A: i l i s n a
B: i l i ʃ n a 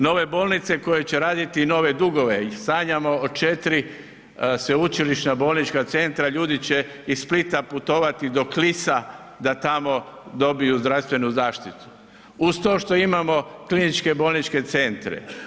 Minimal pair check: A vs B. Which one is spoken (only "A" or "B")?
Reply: B